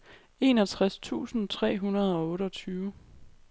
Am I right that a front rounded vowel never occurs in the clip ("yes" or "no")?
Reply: no